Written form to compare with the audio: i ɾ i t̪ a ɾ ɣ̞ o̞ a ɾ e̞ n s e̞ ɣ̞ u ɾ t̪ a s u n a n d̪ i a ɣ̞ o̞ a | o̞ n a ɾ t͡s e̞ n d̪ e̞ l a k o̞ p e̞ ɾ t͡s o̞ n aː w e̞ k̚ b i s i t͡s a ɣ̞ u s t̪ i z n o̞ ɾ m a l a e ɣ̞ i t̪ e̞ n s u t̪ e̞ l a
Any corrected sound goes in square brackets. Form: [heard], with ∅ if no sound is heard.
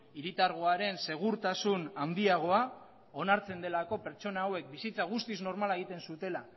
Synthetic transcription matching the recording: i ɾ i t̪ a ɾ ɣ̞ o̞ a ɾ e̞ n s e̞ ɣ̞ u ɾ t̪ a s u n a n d̪ i a ɣ̞ o̞ a | o̞ n a ɾ t͡s e̞ n d̪ e̞ l a k o̞ p e̞ ɾ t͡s o̞ n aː w e̞ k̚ b i s i t͡s a ɣ̞ u s t̪ i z n o̞ ɾ m a l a e ɣ̞ i t̪ e̞ n s u t̪ e̞ l a